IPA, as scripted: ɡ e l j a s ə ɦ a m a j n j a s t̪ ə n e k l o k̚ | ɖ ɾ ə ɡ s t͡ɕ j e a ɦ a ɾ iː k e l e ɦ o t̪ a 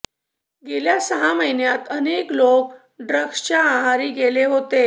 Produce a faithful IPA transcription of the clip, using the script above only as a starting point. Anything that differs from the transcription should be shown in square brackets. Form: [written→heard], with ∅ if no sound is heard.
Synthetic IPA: ɡ e l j a s ə ɦ a m [a→ə] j n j a [s→∅] t̪ ə n e k l o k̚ | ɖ ɾ ə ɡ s t͡ɕ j [e→a] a ɦ a ɾ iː [k→ɡ] e l e ɦ o t̪ [a→e]